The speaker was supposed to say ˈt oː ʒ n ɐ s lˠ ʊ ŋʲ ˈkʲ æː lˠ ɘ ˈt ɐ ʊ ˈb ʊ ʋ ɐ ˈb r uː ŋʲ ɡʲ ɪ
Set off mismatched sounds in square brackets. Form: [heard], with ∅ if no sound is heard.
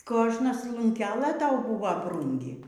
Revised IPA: [ˈk] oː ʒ n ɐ s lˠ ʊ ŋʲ ˈkʲ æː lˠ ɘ ˈt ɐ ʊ ˈb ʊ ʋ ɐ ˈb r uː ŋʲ ɡʲ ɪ

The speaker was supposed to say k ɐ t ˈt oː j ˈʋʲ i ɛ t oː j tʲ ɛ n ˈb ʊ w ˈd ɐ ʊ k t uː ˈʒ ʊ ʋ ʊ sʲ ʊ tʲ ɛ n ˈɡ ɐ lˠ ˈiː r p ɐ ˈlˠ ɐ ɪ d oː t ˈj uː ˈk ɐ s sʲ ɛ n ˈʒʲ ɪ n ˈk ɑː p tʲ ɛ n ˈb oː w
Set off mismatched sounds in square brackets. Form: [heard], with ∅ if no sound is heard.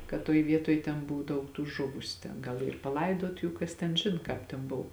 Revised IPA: k ɐ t ˈt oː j ˈʋʲ i ɛ t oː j tʲ ɛ n ˈb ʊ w ˈd ɐ ʊ k t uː ˈʒ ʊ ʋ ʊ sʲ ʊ tʲ ɛ n ˈɡ ɐ lˠ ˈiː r p ɐ ˈlˠ ɐ ɪ d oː t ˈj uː ˈk ɐ s [tʲ] ɛ n ˈʒʲ ɪ n ˈk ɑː p tʲ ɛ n ˈb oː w

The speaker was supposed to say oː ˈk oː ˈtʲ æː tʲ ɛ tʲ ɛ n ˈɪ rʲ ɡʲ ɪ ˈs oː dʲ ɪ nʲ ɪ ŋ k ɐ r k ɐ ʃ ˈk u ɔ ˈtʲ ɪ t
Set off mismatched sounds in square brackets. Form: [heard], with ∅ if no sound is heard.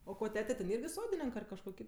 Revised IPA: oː ˈk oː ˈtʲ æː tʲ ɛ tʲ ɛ n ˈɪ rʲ ɡʲ ɪ ˈs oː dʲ ɪ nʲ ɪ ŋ k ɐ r k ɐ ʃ ˈk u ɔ [ˈkʲ] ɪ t

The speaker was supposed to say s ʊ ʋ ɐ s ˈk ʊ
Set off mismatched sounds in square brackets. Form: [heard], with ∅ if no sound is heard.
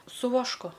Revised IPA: s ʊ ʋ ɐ [ʃ] ˈk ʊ

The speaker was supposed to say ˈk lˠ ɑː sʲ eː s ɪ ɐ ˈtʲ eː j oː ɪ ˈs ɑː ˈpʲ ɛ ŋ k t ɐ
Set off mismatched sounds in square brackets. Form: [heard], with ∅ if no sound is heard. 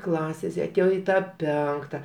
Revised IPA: ˈk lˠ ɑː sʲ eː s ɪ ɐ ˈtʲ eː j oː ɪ [ˈt] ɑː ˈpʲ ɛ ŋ k t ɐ

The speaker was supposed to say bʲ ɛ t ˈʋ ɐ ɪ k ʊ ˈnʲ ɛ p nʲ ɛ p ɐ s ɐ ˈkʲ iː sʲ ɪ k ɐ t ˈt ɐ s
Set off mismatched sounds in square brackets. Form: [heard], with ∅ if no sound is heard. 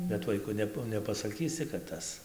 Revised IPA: bʲ ɛ t ˈʋ ɐ ɪ k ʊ ˈnʲ ɛ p nʲ ɛ p ɐ s ɐ ˈkʲ iː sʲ ɪ k ɐ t ˈt ɐ s

